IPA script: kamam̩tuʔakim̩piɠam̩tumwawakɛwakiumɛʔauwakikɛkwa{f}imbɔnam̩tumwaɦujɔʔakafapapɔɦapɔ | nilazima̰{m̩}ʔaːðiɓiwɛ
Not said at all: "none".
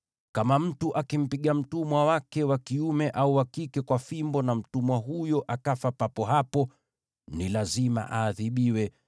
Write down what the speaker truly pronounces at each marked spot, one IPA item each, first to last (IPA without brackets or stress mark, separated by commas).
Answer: f, none